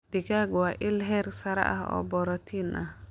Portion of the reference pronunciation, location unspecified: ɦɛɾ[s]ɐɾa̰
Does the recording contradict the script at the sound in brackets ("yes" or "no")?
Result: no